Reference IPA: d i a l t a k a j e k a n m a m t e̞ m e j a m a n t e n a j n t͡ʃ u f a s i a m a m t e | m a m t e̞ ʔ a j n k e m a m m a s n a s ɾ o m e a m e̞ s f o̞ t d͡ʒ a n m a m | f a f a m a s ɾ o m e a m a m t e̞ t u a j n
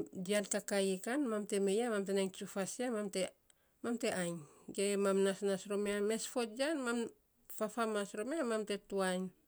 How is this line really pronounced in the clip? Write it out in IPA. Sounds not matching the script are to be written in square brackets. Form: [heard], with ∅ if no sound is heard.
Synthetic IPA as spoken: d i a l t a k a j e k a n m a m t e̞ m e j a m a [m] t e n a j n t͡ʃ u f a s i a m a m t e | m a m t e̞ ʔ a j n [ɡ] e m a m [n] a s n a s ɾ o m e a m e̞ s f o̞ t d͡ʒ a n m a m | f a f a m a s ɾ o m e a m a m t e̞ t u a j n